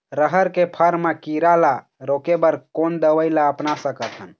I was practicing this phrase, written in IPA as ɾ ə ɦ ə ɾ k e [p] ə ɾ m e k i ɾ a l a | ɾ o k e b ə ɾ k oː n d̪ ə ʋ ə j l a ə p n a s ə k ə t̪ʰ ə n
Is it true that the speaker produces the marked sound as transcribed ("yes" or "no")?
no